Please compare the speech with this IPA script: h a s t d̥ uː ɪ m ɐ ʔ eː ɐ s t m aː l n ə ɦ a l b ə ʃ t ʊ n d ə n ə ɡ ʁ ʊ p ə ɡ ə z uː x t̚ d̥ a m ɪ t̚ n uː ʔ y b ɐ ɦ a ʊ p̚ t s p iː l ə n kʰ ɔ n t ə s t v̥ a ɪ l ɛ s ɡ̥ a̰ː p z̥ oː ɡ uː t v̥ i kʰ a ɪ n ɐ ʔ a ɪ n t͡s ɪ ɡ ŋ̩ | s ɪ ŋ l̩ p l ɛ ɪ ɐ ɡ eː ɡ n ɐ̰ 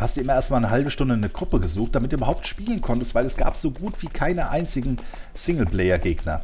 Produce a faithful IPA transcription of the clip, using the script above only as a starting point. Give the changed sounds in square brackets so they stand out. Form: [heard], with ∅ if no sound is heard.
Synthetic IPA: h a s t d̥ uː ɪ m ɐ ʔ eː ɐ s t m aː l n ə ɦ a l b ə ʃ t ʊ n d ə n ə ɡ ʁ ʊ p ə ɡ ə z uː x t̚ d̥ a m ɪ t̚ [d] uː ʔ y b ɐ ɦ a ʊ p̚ t [ʃ] p iː l ə n kʰ ɔ n t ə s t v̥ a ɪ l ɛ s ɡ̥ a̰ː p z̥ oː ɡ uː t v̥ [iː] kʰ a ɪ n [ə] ʔ a ɪ n t͡s ɪ ɡ ŋ̩ | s ɪ ŋ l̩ p l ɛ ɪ ɐ ɡ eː ɡ n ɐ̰